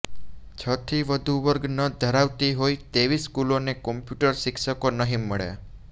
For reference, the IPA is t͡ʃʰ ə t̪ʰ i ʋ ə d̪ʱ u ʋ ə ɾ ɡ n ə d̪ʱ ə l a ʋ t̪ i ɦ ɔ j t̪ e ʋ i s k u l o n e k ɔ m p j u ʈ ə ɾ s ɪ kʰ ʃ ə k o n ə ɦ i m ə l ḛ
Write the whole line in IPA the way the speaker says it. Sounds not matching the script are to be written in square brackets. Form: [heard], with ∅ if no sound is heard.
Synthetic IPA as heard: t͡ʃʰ ə t̪ʰ i ʋ ə d̪ʱ u ʋ ə ɾ ɡ n ə d̪ʱ ə [ɾ] a ʋ t̪ i ɦ [o] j t̪ e ʋ i s k u l o n e k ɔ m p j u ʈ ə ɾ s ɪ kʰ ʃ ə k o n ə ɦ i m ə [ɭ] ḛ